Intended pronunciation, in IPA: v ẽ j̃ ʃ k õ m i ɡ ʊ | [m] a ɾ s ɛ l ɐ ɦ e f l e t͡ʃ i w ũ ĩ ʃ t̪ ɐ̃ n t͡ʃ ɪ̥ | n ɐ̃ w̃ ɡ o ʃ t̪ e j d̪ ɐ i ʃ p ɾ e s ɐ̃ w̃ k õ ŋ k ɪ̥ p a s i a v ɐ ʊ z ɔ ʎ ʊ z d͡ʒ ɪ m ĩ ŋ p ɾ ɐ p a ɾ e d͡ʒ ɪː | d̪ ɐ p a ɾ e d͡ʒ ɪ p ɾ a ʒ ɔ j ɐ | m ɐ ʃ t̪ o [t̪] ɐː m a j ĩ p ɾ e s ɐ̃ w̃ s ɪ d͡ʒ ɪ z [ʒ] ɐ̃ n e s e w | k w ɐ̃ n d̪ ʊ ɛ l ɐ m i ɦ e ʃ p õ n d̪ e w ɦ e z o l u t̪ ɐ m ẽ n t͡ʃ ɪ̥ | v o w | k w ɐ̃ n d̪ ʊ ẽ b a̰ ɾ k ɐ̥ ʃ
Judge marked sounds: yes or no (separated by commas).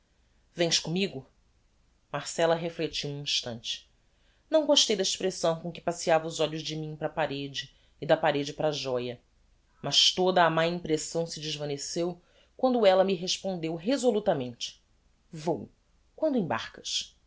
yes, no, no